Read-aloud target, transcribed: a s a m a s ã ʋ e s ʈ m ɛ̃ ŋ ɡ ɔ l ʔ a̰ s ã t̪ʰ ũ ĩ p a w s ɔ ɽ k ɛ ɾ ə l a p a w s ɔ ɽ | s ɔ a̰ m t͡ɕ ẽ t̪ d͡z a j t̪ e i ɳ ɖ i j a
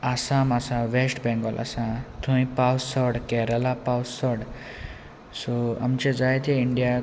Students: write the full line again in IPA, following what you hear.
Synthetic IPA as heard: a s a m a s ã ʋ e s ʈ b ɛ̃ ŋ ɡ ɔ l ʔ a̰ s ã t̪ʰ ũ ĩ p a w s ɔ ɽ k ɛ ɾ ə l a p a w s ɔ ɽ | s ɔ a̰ m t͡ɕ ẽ d͡z a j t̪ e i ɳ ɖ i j a